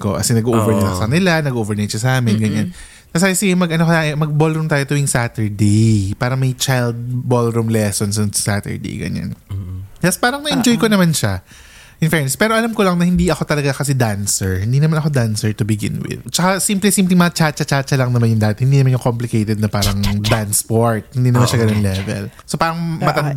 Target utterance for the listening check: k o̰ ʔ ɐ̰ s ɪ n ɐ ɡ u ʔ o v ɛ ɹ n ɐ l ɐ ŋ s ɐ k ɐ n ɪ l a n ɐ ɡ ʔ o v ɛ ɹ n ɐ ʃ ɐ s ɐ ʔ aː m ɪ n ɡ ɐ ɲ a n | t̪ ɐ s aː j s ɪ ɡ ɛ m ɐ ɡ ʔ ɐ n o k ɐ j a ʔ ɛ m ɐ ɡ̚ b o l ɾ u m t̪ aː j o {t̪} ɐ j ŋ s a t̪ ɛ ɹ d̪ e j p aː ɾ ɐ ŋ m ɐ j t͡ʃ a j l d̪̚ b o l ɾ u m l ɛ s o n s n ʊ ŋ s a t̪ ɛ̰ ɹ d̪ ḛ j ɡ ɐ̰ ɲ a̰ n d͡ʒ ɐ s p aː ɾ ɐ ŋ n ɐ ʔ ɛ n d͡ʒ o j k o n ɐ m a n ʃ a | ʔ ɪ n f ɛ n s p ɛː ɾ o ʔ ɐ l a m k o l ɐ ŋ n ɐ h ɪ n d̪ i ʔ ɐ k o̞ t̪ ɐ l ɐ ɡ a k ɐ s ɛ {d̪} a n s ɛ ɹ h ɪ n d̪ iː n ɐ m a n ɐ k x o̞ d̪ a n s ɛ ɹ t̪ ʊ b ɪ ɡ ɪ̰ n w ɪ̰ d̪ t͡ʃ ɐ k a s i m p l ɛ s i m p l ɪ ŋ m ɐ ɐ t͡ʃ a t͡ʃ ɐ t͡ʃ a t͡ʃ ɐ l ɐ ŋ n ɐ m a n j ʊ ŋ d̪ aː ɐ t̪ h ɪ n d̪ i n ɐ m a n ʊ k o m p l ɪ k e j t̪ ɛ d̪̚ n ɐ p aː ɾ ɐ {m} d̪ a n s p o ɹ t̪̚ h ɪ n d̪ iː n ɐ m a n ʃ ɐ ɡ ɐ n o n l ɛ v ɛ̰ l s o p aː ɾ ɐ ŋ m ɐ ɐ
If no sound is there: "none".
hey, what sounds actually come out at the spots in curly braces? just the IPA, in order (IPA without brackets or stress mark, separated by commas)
t̪, d̪, ŋ